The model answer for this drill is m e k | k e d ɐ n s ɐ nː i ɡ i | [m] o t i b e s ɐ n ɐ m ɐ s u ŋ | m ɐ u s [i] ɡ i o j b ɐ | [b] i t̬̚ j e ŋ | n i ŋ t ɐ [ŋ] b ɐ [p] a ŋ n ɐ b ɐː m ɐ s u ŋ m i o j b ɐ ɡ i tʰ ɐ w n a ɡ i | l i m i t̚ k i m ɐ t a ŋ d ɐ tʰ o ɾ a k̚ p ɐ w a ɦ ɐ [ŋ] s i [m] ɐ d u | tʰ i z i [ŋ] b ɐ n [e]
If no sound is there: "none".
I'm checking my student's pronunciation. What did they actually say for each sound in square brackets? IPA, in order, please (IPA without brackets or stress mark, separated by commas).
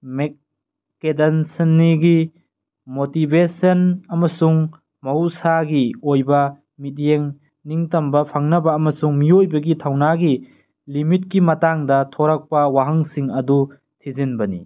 m, a, m, m, pʰ, ŋ, ŋ, n, i